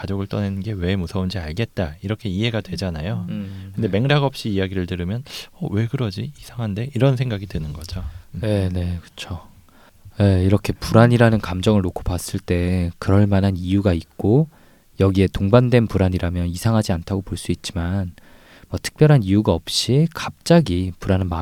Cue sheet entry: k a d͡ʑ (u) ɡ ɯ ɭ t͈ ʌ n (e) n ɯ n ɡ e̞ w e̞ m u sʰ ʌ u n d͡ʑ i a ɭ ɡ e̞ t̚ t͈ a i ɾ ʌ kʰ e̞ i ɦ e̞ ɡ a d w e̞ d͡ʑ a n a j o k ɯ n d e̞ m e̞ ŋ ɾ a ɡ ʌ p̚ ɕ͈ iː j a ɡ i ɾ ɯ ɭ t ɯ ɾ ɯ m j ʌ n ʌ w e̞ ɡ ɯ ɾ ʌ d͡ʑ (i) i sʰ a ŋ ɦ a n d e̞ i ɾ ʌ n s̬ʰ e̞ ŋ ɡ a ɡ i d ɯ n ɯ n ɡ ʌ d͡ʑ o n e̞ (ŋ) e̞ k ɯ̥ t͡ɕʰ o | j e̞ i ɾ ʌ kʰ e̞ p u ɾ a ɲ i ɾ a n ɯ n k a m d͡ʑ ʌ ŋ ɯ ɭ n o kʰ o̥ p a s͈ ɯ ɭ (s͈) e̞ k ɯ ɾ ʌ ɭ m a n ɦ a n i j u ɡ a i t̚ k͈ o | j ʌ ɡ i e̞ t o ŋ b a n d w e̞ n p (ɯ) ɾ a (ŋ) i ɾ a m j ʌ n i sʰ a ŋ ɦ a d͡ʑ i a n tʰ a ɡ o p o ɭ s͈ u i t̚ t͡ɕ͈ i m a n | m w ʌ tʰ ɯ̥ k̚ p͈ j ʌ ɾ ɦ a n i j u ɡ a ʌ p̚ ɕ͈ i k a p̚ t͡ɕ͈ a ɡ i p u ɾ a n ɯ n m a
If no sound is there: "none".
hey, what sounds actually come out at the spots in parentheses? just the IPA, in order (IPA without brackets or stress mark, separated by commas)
o, e, i, n, t͈, u, ɲ